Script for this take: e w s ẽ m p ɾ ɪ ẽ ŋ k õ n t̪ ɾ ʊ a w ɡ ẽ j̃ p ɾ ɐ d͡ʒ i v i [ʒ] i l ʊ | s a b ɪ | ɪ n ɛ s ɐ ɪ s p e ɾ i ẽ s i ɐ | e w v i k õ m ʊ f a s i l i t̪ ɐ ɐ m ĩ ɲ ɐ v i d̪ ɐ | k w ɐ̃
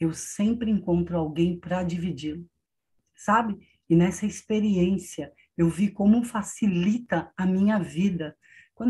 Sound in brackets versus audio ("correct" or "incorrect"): incorrect